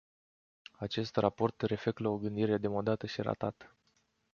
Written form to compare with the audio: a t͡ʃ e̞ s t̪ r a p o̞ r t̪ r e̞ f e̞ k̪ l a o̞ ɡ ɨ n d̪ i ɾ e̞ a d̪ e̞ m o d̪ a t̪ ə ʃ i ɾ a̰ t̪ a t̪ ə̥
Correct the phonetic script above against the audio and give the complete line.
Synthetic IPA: a t͡ʃ e̞ s t̪ r a p o̞ r t̪ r e̞ f e̞ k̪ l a o̞ ɡ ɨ n d̪ i ɾ e̞ a d̪ e̞ m o d̪ a t̪ ə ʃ i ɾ a̰ t̪ a t̪ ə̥